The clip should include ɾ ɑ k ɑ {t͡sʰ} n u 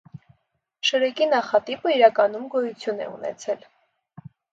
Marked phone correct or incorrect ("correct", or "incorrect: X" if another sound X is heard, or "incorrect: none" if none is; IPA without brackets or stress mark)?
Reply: incorrect: none